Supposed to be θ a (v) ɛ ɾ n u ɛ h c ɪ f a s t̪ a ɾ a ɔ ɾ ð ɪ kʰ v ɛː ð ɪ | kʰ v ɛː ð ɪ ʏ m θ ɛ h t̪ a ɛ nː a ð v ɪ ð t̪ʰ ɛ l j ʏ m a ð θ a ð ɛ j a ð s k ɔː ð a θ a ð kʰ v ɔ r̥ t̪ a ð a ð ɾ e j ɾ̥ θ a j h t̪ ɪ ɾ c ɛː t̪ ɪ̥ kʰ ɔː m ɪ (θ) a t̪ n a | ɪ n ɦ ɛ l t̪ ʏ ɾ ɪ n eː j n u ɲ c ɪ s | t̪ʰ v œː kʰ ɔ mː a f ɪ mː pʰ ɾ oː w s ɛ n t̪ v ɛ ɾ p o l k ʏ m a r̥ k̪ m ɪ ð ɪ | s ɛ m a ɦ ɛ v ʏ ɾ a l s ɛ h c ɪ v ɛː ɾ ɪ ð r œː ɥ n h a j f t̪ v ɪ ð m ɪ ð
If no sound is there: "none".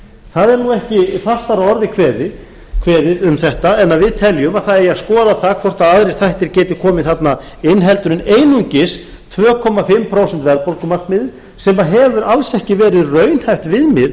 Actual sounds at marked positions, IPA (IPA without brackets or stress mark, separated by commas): ð, θ